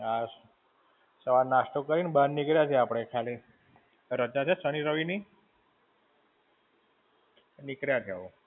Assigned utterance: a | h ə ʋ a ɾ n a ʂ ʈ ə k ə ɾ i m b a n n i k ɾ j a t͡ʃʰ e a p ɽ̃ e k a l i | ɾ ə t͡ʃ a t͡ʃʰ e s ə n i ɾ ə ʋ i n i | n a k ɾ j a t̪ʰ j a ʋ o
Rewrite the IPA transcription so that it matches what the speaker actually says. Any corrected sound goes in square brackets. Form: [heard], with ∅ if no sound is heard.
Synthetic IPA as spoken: a | [s] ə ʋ a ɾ n a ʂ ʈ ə k ə ɾ i [n] b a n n i k ɾ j a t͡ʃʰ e a p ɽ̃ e [kʰ] a l i | ɾ ə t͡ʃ a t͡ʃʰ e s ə n i ɾ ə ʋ i n i | n [i] k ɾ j a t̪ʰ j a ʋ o